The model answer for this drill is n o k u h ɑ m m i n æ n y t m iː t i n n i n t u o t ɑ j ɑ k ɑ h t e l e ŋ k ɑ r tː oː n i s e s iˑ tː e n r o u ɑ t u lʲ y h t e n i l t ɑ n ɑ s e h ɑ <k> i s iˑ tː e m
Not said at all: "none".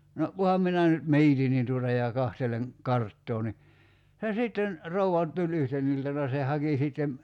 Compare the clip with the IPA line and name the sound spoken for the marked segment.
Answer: k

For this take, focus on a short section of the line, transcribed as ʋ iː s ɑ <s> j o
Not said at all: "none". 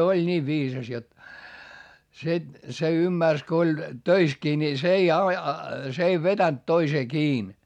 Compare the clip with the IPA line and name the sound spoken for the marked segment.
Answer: s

